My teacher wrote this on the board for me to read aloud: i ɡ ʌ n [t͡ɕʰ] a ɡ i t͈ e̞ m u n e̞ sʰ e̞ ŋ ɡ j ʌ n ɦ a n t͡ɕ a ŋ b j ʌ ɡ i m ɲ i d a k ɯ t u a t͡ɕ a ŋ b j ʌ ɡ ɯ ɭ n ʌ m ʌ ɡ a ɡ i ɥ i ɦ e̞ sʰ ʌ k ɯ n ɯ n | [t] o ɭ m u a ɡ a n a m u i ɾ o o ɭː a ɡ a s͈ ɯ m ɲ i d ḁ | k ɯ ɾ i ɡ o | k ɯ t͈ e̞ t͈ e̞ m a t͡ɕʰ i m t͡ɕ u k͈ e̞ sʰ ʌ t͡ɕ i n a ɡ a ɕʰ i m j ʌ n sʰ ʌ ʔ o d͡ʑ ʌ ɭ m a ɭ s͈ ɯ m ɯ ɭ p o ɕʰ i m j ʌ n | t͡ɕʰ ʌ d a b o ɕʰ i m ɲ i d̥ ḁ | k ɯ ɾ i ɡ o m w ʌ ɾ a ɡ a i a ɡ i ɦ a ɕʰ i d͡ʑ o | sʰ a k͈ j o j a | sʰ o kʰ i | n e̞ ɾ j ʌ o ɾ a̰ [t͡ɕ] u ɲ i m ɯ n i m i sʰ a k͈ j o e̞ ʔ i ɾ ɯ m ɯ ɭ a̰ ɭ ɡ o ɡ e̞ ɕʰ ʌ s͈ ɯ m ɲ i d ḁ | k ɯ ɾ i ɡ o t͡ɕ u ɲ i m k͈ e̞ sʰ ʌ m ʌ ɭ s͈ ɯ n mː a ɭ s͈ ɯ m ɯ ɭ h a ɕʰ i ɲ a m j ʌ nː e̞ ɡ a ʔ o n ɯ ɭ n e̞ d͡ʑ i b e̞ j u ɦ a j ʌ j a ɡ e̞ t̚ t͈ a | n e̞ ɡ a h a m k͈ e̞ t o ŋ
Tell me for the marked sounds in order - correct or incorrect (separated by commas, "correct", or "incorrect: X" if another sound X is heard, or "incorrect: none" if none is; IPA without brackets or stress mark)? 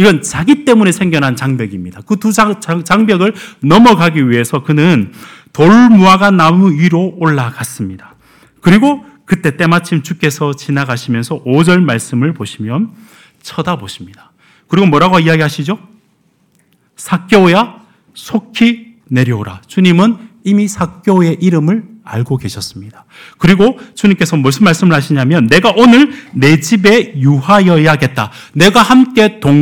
incorrect: t͡ɕ, correct, correct